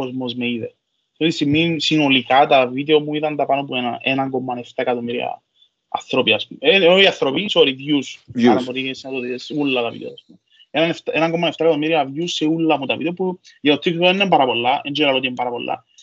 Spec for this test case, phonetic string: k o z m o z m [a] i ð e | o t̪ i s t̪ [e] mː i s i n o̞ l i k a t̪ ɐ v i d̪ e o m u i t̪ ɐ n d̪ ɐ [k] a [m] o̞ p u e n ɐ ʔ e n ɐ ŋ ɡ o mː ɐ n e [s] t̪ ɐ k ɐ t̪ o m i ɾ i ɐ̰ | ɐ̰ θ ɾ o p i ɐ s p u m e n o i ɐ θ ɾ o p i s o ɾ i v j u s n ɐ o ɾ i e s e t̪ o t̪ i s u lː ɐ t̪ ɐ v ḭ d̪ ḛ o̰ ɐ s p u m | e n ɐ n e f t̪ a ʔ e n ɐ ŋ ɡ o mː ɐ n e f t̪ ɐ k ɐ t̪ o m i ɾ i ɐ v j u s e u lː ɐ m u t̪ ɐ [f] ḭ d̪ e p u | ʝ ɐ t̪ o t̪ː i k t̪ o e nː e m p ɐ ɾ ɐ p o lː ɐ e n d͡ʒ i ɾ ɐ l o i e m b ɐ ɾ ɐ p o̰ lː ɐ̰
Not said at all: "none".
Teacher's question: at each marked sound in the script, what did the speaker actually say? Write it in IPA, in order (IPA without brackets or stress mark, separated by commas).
e, i, p, n, f, v